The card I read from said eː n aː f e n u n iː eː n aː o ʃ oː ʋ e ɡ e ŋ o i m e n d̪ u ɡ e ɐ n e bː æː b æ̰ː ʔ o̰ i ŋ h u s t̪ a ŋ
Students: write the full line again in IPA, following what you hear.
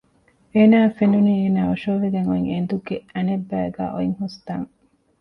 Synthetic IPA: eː n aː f e n u n iː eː n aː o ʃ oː ʋ e ɡ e ŋ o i ŋ e n d̪ u ɡ e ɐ n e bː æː ɡ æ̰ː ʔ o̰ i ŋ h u s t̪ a ŋ